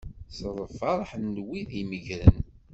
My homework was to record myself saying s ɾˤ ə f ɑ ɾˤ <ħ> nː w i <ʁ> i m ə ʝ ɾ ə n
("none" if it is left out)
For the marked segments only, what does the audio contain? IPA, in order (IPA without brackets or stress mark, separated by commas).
ħ, ð